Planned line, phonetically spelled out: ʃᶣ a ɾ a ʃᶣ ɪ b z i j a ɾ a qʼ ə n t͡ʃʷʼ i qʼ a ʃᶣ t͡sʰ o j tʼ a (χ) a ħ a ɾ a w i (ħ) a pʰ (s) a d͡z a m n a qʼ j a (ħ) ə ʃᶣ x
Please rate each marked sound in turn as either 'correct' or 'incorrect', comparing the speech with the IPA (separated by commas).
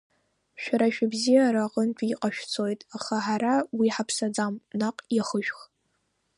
correct, correct, correct, incorrect